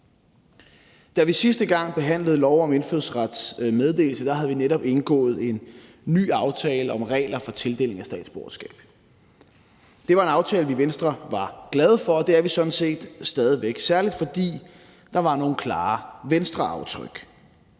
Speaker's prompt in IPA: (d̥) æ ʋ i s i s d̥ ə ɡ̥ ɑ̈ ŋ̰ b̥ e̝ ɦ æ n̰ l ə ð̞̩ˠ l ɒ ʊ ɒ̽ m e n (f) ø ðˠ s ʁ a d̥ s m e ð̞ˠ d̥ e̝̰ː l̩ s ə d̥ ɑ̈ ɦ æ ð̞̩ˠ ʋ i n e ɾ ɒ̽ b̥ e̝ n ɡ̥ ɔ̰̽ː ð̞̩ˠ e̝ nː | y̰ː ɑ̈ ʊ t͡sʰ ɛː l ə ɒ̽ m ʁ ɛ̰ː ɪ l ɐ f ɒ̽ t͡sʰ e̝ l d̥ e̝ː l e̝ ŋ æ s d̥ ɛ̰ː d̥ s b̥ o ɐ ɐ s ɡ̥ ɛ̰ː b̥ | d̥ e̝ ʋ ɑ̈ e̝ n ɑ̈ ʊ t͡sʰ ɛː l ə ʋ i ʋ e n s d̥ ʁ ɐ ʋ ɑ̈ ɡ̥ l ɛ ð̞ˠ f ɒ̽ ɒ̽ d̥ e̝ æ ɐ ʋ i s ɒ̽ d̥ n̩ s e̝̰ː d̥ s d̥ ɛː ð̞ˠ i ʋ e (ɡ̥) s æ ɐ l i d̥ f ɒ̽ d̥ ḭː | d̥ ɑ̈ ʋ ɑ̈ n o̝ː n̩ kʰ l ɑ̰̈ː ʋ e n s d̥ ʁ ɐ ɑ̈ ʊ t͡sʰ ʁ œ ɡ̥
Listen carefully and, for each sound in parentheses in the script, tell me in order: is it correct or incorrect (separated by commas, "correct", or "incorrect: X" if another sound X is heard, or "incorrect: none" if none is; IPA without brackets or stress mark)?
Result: correct, correct, correct